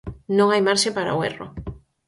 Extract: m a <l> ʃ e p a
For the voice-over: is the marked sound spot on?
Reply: no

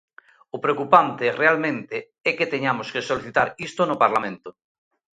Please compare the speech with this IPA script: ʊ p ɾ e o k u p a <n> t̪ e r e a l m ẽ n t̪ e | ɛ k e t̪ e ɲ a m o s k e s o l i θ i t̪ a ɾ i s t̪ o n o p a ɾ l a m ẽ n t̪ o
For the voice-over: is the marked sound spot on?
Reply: yes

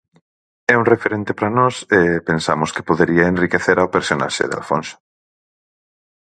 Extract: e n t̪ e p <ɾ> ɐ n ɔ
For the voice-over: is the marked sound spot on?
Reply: yes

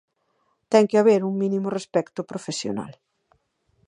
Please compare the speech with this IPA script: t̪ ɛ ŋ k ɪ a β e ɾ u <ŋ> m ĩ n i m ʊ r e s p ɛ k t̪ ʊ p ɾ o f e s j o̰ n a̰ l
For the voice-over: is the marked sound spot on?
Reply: yes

